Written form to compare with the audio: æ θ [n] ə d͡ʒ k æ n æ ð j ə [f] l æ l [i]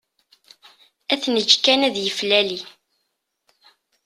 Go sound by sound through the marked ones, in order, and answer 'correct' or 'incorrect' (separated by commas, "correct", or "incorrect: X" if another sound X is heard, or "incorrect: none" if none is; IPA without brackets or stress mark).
correct, correct, correct